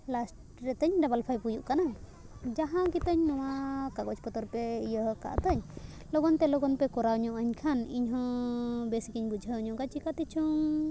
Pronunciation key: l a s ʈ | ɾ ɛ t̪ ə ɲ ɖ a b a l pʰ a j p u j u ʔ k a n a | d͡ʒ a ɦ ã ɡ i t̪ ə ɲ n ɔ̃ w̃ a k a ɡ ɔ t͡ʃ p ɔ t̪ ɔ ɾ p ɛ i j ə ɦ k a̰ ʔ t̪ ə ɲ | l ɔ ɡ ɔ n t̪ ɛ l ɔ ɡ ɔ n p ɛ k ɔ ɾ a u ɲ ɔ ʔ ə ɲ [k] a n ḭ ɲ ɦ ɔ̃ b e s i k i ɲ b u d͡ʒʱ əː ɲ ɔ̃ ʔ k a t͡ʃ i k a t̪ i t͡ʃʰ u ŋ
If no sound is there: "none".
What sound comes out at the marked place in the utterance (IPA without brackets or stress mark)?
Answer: kʰ